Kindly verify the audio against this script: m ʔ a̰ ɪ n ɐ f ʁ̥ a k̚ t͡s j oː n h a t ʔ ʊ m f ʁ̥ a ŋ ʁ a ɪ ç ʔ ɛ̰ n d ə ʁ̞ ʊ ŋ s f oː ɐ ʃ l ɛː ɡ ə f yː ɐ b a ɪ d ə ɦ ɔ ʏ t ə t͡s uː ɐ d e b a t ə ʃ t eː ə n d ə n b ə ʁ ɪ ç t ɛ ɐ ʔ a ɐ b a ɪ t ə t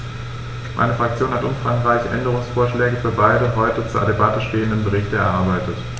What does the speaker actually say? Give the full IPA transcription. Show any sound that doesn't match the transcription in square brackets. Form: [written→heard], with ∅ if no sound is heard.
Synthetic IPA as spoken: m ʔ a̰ ɪ n [ɐ→ə] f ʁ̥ a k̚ t͡s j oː n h a t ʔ ʊ m f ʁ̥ a ŋ ʁ a ɪ ç ʔ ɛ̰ n d ə ʁ̞ ʊ ŋ s f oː ɐ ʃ l ɛː ɡ ə f yː ɐ b a ɪ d ə ɦ ɔ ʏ t ə t͡s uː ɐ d e b a t ə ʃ t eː ə n d ə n b ə ʁ ɪ ç t ɛ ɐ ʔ a ɐ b a ɪ t ə t

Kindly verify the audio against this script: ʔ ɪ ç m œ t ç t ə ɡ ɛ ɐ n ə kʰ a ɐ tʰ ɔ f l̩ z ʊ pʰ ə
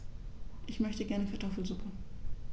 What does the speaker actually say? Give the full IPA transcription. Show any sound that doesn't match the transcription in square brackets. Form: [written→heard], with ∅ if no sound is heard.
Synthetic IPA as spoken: ʔ ɪ ç m œ [t→∅] ç t ə ɡ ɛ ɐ n ə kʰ a ɐ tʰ ɔ f l̩ z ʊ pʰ ə

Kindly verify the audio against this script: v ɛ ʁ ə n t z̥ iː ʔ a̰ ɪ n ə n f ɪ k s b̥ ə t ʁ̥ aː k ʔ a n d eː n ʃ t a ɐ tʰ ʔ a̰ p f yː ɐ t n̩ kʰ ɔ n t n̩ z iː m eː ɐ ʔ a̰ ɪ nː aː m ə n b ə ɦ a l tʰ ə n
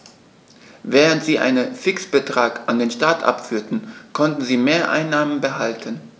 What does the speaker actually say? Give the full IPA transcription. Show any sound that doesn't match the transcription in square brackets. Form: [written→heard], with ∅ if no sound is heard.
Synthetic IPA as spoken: v [ɛ→ɛː] ʁ ə n t z̥ iː ʔ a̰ ɪ n ə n f ɪ k s b̥ ə t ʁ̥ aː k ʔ a n d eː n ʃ t a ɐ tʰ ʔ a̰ p f yː ɐ t n̩ kʰ ɔ n t n̩ z iː m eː ɐ ʔ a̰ ɪ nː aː m ə n b ə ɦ a l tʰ ə n

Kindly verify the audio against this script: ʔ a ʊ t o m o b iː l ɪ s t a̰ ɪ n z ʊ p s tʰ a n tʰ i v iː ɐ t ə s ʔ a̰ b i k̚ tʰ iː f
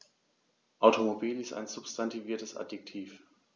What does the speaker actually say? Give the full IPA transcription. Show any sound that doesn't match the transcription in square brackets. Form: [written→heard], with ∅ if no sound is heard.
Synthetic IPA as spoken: ʔ a ʊ t o m o b iː l ɪ s t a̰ ɪ n z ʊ p s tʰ a n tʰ i v iː ɐ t ə s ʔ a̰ [b→d] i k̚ tʰ iː f

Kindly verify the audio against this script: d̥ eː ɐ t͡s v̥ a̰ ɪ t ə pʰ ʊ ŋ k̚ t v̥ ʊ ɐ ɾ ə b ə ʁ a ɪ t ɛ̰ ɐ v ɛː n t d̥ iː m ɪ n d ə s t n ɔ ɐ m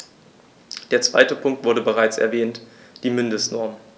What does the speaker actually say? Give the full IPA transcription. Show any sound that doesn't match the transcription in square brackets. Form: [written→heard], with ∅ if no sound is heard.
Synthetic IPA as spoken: d̥ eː ɐ t͡s v̥ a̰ ɪ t ə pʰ ʊ ŋ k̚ t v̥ ʊ ɐ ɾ ə b ə ʁ a ɪ [t→t͡s] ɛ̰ ɐ v ɛː n t d̥ iː m ɪ n d ə s t n ɔ ɐ m

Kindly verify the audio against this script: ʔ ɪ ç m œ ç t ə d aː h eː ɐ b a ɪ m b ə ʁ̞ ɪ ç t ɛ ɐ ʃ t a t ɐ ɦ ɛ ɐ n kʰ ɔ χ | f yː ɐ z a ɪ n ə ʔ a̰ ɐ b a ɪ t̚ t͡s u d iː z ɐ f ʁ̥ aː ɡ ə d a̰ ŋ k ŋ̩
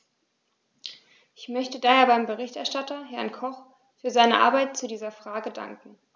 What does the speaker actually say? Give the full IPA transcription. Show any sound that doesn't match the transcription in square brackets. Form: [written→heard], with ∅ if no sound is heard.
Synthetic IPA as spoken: ʔ ɪ ç m œ ç t ə d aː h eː ɐ b a ɪ m b ə ʁ̞ ɪ ç t ɛ ɐ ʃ t a t ɐ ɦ ɛ ɐ n kʰ ɔ χ | f yː ɐ z a ɪ n ə ʔ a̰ ɐ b a ɪ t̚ t͡s u d iː z ɐ f ʁ̥ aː ɡ ə d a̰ ŋ k ŋ̩

